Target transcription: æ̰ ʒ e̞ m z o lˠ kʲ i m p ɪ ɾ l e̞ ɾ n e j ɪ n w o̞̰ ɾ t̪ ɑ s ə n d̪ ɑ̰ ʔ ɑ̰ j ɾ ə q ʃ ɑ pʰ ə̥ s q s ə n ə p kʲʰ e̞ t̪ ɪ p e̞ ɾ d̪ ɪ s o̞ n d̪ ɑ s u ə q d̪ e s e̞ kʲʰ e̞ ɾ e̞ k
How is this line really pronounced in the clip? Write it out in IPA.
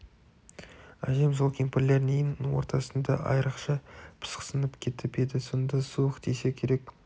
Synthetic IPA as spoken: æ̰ ʒ e̞ m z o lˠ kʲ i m p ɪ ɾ l e̞ ɾ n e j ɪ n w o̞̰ ɾ t̪ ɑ s ə n d̪ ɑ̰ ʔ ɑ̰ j ɾ ə q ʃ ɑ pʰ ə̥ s q s ə n ə p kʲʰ e̞ t̪ ɪ p e̞ d̪ ɪ s o̞ n d̪ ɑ s u ə q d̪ e s e̞ kʲʰ e̞ ɾ e̞ k